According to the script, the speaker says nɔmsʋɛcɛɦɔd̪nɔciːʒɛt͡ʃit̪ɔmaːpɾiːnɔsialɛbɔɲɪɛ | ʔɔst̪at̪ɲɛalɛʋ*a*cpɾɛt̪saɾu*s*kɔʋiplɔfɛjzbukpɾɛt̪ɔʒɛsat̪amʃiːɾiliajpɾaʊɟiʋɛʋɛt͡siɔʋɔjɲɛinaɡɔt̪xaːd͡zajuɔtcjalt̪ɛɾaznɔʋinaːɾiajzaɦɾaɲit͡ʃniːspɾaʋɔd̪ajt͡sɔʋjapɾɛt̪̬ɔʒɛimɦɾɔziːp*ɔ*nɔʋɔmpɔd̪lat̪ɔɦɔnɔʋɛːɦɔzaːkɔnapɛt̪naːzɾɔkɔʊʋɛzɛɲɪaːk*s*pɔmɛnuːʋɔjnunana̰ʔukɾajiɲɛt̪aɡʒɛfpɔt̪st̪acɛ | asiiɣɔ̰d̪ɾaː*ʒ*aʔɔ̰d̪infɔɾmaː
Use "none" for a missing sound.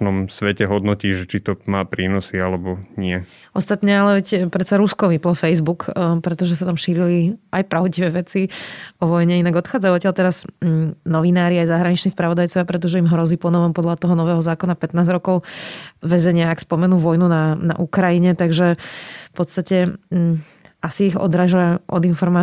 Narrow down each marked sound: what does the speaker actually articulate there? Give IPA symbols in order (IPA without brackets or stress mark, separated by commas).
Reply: ɛ, s, ɔ, s, ʒ